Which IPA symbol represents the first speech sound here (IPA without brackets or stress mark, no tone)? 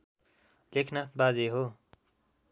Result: l